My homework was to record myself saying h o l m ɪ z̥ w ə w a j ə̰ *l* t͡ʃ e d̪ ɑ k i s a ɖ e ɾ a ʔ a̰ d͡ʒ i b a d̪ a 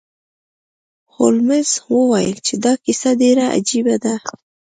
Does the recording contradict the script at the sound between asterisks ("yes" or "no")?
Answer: no